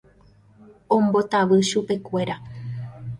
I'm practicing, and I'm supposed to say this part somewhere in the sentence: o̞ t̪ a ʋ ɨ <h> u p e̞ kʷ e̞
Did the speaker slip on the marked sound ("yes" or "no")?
yes